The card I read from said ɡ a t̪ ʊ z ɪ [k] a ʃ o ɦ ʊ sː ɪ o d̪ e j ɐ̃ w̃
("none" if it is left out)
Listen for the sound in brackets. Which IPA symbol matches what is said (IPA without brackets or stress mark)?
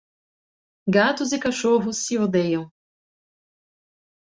k